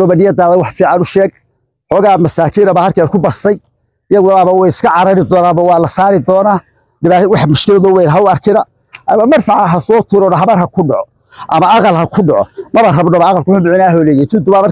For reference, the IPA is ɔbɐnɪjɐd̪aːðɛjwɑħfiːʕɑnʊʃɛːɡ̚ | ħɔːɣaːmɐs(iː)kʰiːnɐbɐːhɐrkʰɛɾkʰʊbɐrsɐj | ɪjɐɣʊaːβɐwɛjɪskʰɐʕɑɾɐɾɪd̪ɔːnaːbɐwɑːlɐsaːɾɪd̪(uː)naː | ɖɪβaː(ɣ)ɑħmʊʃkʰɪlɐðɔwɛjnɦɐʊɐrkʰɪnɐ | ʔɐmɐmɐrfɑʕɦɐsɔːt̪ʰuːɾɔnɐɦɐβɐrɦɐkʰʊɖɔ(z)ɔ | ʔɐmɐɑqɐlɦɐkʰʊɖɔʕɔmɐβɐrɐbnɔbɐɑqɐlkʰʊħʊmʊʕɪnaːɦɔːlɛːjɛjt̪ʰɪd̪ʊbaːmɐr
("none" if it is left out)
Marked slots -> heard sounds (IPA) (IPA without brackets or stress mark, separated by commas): aː, ɔː, w, ʕ